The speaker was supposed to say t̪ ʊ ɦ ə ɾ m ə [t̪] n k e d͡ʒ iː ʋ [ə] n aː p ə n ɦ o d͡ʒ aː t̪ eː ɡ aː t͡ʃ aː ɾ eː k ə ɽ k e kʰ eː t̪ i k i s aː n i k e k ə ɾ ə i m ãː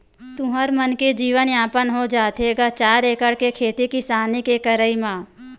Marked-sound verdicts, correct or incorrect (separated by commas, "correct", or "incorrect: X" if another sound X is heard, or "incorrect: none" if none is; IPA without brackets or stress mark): incorrect: none, correct